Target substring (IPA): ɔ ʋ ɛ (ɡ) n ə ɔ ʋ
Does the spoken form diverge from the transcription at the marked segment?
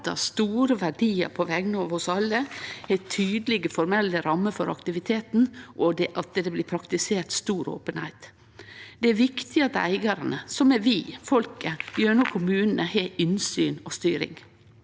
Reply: no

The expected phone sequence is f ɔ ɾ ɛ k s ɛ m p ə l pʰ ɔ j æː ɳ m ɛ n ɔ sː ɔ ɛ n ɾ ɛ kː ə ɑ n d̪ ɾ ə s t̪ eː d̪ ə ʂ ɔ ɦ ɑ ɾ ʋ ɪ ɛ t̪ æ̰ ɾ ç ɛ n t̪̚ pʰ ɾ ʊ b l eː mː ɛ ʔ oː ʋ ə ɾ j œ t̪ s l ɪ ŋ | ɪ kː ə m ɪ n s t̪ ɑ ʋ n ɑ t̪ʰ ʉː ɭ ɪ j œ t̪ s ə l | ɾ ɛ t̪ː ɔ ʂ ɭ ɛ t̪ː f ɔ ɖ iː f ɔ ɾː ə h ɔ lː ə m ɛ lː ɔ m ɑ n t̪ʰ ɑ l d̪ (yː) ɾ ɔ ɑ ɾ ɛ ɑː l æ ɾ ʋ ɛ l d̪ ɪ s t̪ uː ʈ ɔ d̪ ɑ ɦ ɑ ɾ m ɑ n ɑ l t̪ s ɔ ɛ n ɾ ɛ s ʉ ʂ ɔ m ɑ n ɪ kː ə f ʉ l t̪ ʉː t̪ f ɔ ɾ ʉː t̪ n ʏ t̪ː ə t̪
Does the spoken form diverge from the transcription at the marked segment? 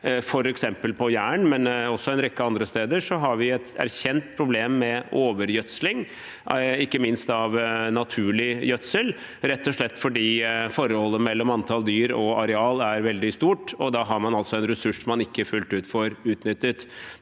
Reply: no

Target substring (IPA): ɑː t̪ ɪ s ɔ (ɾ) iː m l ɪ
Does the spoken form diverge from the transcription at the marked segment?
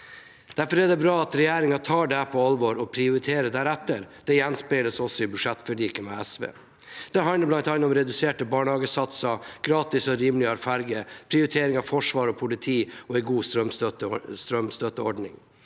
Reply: no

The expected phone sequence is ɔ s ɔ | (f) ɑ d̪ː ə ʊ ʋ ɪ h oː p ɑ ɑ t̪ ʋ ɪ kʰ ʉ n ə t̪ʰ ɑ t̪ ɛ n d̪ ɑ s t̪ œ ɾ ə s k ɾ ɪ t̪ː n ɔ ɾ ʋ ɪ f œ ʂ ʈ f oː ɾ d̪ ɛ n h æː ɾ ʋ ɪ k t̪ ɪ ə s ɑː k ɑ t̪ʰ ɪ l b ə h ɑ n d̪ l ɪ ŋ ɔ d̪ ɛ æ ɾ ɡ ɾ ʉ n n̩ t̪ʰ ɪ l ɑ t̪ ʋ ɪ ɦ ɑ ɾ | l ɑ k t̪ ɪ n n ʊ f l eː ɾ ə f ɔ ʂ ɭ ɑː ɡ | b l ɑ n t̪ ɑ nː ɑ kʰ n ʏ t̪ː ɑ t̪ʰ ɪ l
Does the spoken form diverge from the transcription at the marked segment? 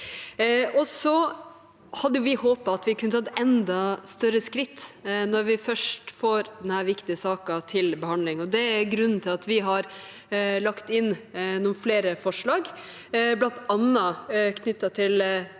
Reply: yes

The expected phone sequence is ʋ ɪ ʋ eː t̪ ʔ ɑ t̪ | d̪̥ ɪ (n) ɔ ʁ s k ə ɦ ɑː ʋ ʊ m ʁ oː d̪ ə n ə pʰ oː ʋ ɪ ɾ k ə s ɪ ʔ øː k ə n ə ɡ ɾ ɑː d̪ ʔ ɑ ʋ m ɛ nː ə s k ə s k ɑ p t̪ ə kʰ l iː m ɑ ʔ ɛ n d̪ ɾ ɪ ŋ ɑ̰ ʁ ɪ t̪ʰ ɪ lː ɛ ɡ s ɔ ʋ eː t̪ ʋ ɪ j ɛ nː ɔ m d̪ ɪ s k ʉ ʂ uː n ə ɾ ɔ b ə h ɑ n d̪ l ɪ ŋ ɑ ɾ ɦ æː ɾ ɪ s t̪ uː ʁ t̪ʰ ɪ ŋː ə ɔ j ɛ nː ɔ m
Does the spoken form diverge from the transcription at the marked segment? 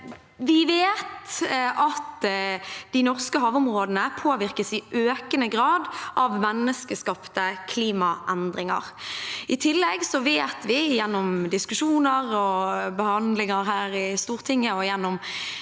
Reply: no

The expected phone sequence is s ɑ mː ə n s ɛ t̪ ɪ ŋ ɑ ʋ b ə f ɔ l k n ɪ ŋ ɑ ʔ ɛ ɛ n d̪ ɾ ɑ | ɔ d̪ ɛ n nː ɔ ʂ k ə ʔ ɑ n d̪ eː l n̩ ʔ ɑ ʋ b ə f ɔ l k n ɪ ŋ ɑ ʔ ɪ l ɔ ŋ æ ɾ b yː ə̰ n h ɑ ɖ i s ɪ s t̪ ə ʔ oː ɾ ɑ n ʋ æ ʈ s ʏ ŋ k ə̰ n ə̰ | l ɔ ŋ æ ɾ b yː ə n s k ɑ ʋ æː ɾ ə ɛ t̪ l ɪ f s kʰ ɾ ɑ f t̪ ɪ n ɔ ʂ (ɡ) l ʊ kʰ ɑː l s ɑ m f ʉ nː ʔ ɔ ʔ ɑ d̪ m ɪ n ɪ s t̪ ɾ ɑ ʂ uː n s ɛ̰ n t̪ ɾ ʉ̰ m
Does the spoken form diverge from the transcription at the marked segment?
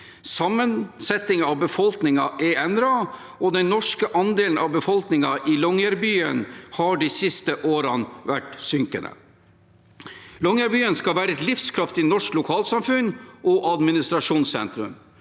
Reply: yes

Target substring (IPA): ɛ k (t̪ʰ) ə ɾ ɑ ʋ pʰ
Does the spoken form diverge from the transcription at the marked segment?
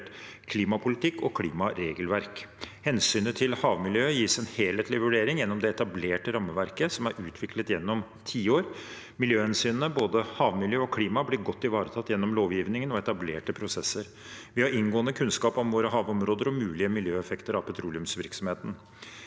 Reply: yes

